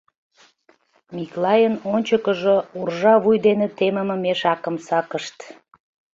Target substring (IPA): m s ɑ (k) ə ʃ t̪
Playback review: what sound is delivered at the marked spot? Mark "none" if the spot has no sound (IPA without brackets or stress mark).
k